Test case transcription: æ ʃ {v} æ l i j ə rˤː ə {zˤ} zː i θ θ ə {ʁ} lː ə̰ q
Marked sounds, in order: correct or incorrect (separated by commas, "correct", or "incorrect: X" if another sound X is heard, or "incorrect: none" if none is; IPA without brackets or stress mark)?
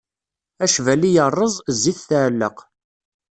correct, correct, incorrect: ʕ